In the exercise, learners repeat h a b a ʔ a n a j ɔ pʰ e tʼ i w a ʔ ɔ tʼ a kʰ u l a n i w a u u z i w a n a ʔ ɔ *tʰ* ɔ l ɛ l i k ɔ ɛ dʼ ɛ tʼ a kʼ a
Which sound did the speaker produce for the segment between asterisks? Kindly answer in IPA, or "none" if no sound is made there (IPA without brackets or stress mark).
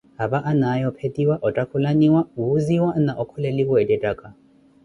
kʰ